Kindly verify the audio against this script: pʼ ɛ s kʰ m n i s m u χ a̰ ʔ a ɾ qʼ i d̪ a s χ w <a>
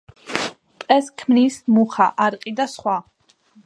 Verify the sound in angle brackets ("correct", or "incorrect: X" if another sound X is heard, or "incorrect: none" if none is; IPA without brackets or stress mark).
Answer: correct